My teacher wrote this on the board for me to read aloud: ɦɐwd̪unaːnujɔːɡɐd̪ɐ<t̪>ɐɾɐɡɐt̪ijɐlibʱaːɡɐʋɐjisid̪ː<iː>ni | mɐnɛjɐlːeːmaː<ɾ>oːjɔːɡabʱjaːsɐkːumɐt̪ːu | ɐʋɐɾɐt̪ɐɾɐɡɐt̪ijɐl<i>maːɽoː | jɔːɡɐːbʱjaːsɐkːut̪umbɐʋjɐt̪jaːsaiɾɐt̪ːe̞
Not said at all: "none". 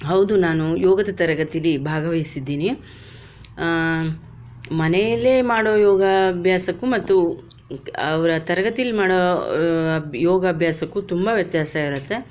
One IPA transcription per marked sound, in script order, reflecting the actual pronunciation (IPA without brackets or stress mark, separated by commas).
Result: t̪, iː, ɽ, i